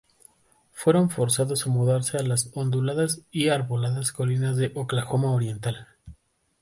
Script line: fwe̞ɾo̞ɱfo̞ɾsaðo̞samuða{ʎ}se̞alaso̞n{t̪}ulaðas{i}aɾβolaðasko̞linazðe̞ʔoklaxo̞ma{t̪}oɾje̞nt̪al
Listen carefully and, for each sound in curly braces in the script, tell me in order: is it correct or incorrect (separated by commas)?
incorrect, incorrect, correct, incorrect